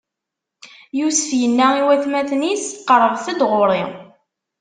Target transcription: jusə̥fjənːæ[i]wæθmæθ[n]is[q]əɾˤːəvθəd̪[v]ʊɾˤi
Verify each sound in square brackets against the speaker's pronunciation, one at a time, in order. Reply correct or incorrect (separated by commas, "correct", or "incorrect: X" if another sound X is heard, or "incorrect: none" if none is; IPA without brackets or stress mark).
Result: correct, correct, correct, incorrect: ʁ